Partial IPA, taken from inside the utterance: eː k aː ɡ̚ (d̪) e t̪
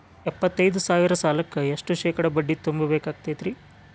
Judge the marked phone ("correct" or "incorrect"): incorrect